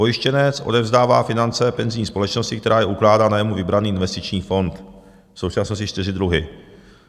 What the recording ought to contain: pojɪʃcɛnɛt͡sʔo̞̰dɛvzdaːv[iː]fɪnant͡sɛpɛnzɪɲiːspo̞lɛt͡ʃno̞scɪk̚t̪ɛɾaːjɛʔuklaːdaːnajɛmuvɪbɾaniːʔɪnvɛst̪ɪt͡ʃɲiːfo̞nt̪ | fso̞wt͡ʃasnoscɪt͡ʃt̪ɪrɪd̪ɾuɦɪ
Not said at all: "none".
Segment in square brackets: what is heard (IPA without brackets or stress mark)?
aː